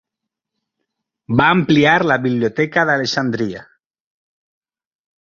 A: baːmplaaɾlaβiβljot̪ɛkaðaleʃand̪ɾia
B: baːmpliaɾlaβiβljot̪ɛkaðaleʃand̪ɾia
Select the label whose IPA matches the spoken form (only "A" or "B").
B